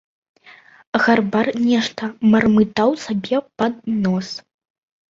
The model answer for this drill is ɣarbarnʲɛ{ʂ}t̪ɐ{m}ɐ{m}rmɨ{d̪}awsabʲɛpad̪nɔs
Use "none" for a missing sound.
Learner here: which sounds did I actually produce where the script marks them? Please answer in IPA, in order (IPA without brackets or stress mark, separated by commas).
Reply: ʂ, m, none, t̪